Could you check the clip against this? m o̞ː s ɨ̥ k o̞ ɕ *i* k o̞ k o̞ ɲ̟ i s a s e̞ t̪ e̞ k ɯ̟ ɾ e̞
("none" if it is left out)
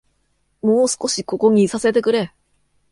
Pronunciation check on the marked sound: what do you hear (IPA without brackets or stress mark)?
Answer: i